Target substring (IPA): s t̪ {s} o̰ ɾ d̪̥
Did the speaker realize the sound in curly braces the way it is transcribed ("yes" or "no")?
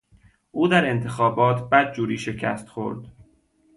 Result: no